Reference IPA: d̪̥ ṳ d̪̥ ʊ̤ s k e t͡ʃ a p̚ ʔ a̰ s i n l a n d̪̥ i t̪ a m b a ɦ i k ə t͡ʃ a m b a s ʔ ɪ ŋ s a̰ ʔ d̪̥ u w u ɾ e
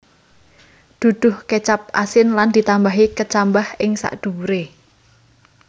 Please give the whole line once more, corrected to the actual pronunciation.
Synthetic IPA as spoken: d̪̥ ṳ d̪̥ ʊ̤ h k e t͡ʃ a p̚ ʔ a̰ s ɪ n l a n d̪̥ i t̪ a m b a ɦ i k ə t͡ʃ a m b a h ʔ ɪ ŋ s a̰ ʔ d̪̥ u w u ɾ e